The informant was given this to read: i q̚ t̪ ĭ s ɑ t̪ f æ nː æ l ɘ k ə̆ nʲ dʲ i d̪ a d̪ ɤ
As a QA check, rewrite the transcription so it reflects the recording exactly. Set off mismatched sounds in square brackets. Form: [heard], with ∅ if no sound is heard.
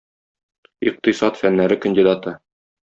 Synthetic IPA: i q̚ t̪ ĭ s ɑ t̪ f æ nː æ [ɾ] ɘ k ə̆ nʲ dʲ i d̪ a [t̪] ɤ